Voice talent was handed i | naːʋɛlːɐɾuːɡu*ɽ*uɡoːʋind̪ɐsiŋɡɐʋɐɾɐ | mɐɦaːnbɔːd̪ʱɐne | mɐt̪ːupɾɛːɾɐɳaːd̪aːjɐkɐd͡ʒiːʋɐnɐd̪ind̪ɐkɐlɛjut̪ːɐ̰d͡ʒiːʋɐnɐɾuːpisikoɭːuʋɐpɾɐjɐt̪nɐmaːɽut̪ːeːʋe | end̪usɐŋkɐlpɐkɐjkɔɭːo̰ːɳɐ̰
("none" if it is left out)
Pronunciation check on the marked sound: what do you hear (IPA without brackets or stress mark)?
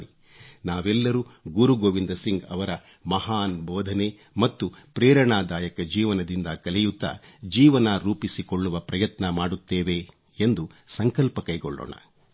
ɾ